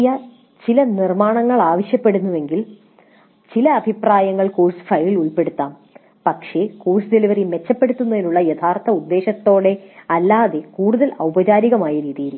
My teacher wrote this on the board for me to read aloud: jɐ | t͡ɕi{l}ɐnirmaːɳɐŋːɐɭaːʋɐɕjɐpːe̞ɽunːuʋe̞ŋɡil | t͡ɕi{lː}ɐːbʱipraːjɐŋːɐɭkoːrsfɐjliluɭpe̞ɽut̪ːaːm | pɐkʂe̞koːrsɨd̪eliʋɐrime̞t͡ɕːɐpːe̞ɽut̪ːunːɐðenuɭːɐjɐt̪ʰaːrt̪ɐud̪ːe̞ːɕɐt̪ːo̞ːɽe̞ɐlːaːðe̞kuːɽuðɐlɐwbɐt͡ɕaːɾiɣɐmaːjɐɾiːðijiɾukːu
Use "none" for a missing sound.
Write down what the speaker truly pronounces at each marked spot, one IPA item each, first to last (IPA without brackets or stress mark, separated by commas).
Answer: l, l